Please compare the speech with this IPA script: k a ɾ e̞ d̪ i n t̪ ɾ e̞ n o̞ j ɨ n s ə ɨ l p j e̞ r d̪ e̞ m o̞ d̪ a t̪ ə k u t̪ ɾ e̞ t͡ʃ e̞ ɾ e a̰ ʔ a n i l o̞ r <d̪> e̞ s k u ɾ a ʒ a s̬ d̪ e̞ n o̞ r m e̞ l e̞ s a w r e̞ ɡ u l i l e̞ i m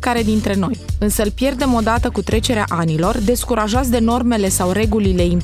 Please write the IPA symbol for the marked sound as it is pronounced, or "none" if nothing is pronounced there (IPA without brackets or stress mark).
d̪